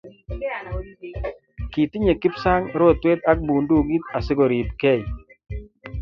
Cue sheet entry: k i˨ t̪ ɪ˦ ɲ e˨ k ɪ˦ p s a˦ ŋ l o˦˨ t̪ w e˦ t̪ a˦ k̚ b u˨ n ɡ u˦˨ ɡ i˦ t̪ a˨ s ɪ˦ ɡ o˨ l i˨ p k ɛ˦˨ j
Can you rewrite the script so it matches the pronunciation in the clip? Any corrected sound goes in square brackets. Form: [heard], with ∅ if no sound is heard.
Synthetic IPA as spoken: k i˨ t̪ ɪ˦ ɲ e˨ k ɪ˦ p s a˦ ŋ [ɾ] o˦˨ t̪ w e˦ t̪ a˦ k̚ b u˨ n [d] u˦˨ ɡ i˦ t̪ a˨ s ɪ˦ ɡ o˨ [ɾ] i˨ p k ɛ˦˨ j

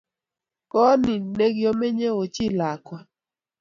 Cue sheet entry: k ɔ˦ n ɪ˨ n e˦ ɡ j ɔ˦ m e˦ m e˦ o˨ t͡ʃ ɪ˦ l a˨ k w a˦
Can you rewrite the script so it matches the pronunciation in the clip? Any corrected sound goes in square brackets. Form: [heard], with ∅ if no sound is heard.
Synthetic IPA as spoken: k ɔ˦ n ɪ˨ n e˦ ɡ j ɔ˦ m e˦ [ɲ] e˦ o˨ t͡ʃ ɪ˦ l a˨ k w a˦

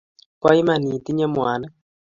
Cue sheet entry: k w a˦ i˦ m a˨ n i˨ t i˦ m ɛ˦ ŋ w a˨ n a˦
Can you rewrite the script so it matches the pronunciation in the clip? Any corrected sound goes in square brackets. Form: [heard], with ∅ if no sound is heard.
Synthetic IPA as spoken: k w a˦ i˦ m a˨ n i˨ t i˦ [ɲ] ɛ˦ [m] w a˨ n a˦

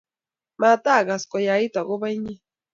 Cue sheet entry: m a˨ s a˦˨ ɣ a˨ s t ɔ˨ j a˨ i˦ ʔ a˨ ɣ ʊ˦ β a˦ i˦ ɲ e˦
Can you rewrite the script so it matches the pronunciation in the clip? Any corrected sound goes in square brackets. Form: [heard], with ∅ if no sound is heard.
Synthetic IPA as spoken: m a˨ [t] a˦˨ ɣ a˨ s [k] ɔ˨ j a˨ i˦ [t] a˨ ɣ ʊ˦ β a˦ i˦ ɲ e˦

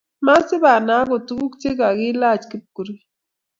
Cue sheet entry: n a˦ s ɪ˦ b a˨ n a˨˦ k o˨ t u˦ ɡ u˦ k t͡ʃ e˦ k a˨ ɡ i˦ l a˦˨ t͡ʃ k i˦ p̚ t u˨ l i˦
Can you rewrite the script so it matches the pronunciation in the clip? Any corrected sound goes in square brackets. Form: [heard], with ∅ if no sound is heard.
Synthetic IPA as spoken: [m] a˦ s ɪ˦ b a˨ n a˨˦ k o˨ t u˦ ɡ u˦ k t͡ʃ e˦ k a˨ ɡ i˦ l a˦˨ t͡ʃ k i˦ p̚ [k] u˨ [ɾ] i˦

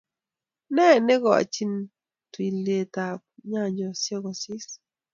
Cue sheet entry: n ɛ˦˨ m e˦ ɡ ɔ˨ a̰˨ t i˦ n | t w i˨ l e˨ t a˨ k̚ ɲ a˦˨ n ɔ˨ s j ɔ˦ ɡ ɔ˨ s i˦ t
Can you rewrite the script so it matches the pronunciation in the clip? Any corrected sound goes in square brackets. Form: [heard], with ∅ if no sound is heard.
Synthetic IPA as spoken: n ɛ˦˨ [n] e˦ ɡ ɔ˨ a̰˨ [t͡ʃ] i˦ n | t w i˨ l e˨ t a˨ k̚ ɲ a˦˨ [ɲ] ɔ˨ s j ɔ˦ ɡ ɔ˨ s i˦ [s]

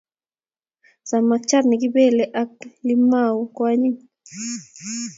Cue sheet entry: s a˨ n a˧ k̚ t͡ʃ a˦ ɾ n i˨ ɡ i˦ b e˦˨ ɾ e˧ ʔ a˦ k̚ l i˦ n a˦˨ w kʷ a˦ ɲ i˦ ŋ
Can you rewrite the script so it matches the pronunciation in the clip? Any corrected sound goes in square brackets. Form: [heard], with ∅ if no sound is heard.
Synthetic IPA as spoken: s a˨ [m] a˧ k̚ t͡ʃ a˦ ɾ n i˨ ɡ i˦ b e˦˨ [l] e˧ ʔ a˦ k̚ l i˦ [m] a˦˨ w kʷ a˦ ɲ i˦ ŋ

